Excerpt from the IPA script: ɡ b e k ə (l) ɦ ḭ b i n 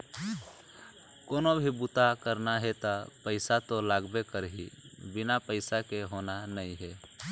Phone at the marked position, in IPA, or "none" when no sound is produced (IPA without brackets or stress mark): ɾ